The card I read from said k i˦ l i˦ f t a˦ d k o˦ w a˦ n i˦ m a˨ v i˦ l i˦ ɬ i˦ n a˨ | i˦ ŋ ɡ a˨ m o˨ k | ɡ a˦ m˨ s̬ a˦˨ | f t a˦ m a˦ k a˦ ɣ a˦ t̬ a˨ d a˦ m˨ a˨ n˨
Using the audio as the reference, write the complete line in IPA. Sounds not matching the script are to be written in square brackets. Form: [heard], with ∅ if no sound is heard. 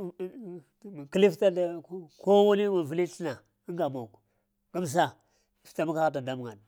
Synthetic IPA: k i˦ l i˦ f t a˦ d k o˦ w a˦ n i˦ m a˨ v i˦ l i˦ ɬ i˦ n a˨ | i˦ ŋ ɡ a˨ m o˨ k | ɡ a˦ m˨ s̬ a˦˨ | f t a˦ m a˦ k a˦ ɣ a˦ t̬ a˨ d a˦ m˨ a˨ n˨